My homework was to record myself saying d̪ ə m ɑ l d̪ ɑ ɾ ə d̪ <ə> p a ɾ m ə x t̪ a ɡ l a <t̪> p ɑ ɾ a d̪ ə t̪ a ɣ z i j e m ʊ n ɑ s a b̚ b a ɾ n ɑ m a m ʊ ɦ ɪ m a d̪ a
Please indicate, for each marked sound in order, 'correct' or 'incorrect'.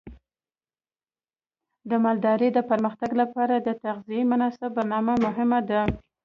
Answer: correct, incorrect: none

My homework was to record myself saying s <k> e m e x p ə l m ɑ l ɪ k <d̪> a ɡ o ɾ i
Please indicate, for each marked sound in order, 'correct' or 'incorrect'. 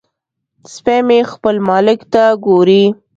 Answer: incorrect: p, incorrect: t̪

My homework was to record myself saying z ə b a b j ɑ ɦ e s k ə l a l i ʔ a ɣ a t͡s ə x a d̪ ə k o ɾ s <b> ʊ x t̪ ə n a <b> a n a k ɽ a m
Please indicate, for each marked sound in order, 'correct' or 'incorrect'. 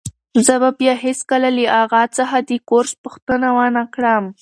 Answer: incorrect: p, incorrect: w

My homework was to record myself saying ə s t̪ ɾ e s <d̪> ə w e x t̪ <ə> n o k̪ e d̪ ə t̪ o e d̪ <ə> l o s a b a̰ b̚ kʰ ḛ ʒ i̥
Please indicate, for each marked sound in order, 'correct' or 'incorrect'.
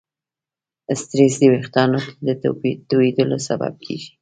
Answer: correct, incorrect: ɑ, correct

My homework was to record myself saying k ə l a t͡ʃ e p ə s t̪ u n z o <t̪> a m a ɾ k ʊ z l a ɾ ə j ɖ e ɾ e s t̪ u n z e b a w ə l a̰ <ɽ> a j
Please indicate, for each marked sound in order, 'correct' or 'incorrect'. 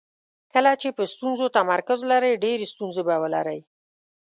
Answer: correct, incorrect: ɾ

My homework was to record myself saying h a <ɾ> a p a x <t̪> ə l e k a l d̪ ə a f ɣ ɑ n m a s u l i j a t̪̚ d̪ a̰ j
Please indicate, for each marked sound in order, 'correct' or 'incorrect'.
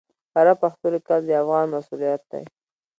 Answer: correct, correct

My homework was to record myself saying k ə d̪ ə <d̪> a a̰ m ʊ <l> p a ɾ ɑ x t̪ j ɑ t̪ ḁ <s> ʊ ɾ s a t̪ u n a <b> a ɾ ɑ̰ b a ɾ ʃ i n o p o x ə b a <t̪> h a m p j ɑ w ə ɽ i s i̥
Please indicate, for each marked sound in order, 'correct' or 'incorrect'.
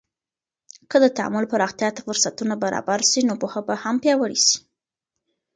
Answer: incorrect: t̪, correct, incorrect: f, correct, incorrect: none

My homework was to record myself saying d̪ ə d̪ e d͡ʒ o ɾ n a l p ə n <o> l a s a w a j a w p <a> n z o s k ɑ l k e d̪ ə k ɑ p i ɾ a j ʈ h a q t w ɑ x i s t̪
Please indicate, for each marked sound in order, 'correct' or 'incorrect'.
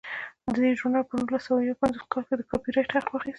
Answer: incorrect: u, correct

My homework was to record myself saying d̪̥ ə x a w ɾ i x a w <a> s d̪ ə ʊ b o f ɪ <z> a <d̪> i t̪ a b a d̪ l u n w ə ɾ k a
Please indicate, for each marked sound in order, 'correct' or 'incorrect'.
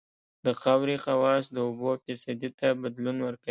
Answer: incorrect: ɑ, incorrect: s, correct

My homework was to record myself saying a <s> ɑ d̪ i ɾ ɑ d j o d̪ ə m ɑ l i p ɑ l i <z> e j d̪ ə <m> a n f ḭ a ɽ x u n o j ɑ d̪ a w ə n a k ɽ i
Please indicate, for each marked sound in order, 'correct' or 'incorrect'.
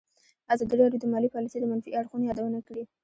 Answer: incorrect: z, incorrect: s, correct

